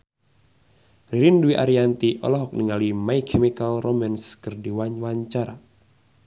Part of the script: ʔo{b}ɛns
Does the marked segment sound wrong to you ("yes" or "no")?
yes